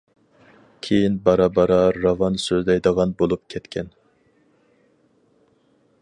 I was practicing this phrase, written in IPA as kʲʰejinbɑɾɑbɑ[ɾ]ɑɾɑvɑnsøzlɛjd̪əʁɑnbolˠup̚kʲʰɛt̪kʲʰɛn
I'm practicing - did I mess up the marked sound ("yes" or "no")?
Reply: no